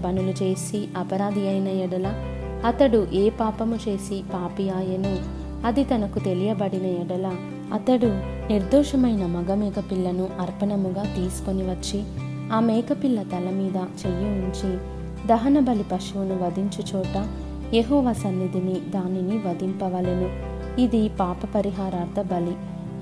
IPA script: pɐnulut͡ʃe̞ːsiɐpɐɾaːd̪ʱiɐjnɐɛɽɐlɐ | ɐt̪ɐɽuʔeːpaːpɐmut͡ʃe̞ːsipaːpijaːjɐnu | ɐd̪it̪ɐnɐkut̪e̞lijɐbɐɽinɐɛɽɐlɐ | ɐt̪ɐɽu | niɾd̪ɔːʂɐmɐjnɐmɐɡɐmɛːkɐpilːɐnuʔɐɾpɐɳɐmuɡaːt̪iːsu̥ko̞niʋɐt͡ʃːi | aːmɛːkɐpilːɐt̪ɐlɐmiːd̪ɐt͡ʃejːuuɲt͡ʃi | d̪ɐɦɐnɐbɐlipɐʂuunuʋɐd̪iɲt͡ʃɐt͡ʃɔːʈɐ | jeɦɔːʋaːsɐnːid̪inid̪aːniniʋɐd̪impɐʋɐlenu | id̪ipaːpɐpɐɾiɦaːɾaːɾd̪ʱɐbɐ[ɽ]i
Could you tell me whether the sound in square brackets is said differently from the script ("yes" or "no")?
yes